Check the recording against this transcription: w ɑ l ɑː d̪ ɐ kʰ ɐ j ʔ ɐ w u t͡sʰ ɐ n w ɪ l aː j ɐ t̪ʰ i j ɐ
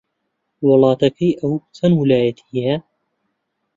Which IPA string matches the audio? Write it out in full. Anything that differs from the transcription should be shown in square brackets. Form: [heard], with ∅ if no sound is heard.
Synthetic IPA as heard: w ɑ l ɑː [t̪] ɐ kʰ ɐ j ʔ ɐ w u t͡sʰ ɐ n w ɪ l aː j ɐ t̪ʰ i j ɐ